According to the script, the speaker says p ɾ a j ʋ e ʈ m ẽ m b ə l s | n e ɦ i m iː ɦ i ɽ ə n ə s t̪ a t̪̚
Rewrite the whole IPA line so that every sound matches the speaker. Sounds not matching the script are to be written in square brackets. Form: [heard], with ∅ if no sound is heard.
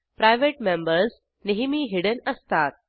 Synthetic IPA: p ɾ a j ʋ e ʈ m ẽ m b ə [ɾ] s | n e ɦ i m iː ɦ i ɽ ə n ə s t̪ a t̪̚